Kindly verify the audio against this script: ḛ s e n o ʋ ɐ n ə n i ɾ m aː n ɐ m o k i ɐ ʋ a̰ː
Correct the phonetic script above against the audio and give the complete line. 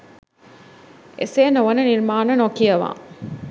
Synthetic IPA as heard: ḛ s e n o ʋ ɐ n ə n i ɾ m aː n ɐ n o k i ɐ ʋ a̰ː